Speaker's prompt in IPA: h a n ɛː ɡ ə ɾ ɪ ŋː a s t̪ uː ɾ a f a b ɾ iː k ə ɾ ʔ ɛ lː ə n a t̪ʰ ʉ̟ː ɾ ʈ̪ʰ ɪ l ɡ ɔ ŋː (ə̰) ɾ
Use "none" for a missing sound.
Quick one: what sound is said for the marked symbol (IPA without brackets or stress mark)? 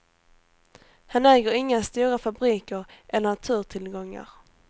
a̰